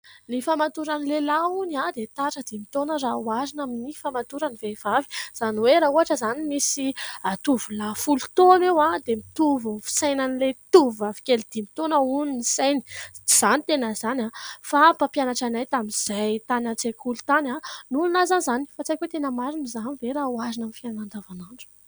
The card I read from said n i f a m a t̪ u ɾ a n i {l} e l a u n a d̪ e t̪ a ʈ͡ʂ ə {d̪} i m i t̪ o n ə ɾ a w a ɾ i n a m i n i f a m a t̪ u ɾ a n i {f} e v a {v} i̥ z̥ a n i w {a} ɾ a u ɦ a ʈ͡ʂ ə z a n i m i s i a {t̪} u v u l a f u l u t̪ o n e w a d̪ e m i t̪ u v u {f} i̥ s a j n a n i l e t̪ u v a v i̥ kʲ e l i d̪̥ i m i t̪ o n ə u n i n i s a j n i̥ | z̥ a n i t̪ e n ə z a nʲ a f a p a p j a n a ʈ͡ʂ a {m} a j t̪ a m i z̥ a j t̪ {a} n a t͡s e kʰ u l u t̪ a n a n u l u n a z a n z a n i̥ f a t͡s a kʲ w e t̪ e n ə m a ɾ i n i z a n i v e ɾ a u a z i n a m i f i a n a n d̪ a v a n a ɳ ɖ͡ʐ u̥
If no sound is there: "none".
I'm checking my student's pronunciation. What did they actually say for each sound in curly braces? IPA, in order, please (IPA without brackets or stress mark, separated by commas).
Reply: l, d̪, v, v, e, t̪, f, n, a